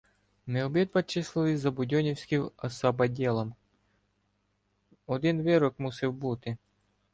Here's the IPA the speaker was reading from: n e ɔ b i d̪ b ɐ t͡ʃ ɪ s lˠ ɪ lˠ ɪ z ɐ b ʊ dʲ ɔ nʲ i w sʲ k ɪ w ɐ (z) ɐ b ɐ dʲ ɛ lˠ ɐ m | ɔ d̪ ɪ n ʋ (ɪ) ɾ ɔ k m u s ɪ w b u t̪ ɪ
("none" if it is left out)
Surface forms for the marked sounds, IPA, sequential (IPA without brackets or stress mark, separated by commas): s, ɪ